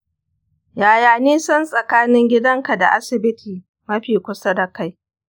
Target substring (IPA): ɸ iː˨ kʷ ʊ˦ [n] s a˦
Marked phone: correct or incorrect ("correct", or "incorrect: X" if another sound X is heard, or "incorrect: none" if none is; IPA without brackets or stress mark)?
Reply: incorrect: none